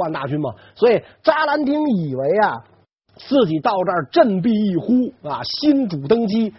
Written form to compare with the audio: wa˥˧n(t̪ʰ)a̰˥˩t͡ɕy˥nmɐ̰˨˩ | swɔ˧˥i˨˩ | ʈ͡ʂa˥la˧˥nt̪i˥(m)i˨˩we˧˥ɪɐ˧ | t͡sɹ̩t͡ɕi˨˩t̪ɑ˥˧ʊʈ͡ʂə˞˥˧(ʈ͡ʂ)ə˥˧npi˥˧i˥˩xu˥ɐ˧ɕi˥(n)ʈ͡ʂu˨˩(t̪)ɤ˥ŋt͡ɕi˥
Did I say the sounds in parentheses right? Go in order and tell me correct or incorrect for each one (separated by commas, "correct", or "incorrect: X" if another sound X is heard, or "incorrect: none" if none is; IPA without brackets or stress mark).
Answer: incorrect: t̪, incorrect: ŋ, correct, correct, correct